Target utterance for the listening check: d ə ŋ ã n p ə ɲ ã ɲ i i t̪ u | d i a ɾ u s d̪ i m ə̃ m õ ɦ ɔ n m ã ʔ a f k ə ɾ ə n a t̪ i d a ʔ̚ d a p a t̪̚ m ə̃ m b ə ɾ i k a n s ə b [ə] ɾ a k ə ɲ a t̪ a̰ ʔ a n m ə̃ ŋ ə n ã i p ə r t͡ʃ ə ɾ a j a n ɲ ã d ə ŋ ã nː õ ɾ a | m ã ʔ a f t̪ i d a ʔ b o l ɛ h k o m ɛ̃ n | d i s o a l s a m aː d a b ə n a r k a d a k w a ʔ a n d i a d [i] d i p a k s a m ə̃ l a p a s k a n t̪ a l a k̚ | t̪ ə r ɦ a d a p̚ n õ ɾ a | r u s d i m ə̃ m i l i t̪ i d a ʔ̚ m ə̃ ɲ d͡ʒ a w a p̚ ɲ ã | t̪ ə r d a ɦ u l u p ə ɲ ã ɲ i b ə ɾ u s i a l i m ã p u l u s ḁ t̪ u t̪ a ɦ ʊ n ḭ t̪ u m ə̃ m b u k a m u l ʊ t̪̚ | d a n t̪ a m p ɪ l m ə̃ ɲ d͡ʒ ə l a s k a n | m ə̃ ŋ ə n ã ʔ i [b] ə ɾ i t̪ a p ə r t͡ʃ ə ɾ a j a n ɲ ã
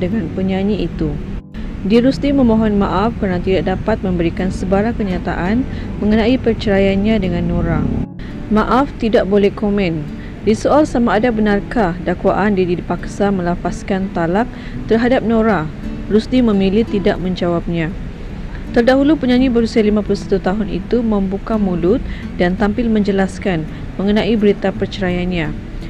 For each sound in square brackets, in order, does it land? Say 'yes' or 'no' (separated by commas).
no, yes, yes